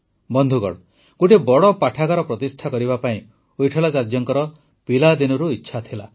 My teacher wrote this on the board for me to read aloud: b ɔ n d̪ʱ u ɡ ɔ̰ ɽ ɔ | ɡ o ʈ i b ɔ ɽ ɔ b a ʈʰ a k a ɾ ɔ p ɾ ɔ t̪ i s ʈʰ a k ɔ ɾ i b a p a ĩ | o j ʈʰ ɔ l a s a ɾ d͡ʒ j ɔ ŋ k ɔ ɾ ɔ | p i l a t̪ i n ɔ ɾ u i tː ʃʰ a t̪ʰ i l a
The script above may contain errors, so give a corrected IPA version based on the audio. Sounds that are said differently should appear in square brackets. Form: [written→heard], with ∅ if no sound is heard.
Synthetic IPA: b ɔ n d̪ʱ u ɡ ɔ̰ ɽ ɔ | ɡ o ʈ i b ɔ ɽ ɔ [b→p] a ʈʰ a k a ɾ ɔ p ɾ ɔ t̪ i s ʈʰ a k ɔ ɾ i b a p a ĩ | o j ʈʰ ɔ l a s a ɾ d͡ʒ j ɔ ŋ k ɔ ɾ ɔ | p i l a [t̪→d̪] i n ɔ ɾ u i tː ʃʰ a t̪ʰ i l a